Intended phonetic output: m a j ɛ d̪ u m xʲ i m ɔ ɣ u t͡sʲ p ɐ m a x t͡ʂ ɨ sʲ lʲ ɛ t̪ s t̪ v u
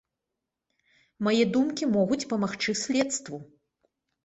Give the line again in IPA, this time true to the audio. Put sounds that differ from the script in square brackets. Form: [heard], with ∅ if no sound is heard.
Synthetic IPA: m a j ɛ d̪ u m [kʲ] i m ɔ ɣ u t͡sʲ p ɐ m a x t͡ʂ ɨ sʲ lʲ ɛ t̪ s t̪ v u